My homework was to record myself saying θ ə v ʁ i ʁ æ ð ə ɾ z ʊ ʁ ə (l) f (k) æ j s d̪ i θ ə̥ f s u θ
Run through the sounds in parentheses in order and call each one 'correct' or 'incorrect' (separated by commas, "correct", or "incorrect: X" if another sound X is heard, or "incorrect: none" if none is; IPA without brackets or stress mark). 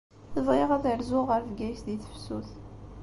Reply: incorrect: ɾ, incorrect: ɡ